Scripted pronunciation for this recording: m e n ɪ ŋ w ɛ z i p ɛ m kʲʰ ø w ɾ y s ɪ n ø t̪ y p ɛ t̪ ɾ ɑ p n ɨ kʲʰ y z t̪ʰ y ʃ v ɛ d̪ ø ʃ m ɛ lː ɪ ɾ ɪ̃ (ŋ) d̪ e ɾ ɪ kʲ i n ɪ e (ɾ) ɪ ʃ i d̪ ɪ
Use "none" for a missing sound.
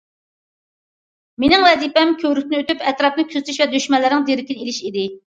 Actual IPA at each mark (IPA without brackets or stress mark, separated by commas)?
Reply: ŋ, l